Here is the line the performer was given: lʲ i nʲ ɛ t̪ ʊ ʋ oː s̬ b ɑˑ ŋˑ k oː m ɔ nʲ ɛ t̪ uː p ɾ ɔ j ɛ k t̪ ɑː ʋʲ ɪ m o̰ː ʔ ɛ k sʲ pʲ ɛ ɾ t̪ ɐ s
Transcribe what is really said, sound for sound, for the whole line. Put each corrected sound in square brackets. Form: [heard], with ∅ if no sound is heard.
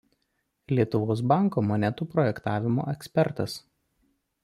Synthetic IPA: lʲ i [∅] ɛ t̪ ʊ ʋ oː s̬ b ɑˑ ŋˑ k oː m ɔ nʲ ɛ t̪ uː p ɾ ɔ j ɛ k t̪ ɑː ʋʲ ɪ m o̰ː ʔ ɛ k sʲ pʲ ɛ ɾ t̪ ɐ s